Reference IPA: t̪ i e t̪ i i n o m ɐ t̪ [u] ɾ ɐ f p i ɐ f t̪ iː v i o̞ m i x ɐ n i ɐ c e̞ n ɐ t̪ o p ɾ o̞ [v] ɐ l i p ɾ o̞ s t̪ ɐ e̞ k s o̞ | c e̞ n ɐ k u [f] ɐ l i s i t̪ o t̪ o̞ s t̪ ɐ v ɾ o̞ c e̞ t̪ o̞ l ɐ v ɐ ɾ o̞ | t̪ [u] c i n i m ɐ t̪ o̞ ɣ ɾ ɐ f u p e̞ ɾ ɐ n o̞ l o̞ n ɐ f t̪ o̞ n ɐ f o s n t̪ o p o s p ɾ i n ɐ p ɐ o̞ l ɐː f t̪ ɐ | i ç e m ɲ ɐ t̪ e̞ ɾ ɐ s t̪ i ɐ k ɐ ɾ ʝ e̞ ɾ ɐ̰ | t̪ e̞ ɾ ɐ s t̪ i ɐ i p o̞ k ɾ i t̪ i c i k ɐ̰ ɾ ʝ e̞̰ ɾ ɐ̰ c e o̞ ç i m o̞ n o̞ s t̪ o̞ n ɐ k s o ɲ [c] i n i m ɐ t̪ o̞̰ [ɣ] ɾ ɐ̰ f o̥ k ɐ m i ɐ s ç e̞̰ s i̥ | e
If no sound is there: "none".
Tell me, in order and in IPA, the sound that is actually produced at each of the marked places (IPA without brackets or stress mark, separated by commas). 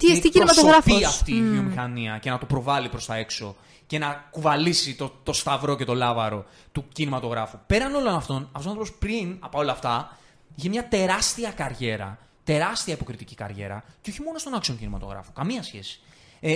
o, v, v, u, c, ɣ